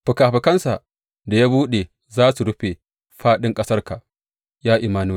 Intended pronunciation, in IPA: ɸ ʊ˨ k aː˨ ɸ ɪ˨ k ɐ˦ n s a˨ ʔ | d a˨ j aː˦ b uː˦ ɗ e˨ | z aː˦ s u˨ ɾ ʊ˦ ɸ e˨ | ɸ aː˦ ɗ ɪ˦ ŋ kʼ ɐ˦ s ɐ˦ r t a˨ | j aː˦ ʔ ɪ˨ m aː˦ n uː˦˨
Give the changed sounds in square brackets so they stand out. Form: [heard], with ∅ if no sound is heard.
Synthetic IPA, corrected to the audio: ɸ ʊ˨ k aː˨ ɸ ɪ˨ k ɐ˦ n s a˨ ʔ | d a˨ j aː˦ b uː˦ ɗ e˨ | z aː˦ s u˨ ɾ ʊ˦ ɸ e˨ | ɸ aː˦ ɗ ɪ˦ ŋ kʼ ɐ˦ s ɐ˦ r [k] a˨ | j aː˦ ʔ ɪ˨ m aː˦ n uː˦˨